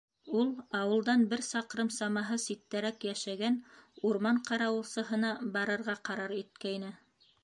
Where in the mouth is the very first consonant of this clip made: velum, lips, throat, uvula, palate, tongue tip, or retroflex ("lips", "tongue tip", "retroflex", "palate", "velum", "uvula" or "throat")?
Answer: tongue tip